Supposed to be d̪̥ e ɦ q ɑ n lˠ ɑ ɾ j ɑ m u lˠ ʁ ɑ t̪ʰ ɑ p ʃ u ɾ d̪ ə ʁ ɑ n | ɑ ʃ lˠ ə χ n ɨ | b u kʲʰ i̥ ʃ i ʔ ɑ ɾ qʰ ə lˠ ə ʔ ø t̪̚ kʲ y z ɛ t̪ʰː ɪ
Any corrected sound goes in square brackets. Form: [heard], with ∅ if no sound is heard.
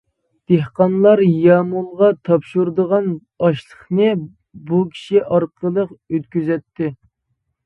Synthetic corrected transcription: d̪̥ e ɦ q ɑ n lˠ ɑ ɾ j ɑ m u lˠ ʁ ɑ t̪ʰ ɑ p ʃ u ɾ d̪ ə ʁ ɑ n | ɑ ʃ lˠ ə χ n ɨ | b u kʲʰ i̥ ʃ i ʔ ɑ ɾ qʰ ə lˠ ə [q] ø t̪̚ kʲ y z ɛ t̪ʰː ɪ